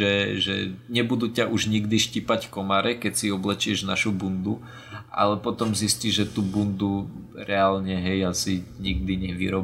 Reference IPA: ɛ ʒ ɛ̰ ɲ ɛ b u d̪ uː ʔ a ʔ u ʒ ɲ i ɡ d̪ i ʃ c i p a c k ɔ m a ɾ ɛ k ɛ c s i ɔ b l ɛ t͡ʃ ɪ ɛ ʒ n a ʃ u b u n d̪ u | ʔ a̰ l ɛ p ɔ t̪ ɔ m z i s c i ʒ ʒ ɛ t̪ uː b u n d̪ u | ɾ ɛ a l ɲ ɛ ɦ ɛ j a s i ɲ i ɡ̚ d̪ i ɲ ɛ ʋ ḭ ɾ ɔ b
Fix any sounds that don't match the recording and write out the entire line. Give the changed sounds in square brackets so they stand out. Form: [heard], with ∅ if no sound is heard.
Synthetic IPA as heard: ɛ ʒ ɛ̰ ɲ ɛ b u d̪ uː [c] a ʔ u ʒ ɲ i ɡ d̪ i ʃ c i p a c k ɔ m a ɾ ɛ k ɛ c s i ɔ b l ɛ t͡ʃ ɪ ɛ ʒ n a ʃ u b u n d̪ u | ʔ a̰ l ɛ p ɔ t̪ ɔ m z i s c i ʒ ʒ ɛ t̪ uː b u n d̪ u | ɾ ɛ a l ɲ ɛ ɦ ɛ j a s i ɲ i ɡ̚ d̪ i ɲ ɛ ʋ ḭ ɾ ɔ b